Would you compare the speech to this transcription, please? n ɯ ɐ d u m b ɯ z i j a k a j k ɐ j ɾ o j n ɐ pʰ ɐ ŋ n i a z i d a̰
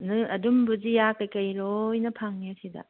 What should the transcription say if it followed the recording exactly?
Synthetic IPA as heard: n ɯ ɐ d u m b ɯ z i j a k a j k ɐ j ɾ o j n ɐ pʰ a ŋ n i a s i d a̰